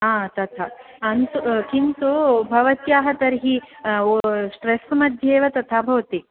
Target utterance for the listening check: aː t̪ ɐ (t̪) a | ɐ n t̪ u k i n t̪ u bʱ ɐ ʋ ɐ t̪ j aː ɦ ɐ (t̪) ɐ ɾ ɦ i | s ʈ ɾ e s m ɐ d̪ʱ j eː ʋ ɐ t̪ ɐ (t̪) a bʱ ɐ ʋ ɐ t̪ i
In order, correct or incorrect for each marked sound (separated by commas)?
incorrect, correct, incorrect